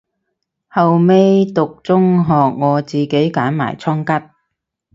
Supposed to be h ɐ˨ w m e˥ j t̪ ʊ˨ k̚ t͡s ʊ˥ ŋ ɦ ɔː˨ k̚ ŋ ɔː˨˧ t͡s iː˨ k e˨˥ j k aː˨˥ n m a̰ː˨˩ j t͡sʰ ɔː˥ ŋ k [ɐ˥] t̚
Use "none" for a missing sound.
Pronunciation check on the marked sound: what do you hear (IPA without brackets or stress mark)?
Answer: ɐ˥